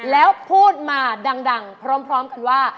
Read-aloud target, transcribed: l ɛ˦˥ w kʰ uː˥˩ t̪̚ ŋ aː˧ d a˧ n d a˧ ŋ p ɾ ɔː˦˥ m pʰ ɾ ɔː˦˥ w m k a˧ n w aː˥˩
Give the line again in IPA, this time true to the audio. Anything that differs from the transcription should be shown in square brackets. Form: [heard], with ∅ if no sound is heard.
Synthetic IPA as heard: l [ɛː˦˥] w [pʰ] uː˥˩ t̪̚ [m] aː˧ d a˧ [ŋ] d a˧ ŋ [pʰ] ɾ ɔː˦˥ m pʰ ɾ ɔː˦˥ [∅] m k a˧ n w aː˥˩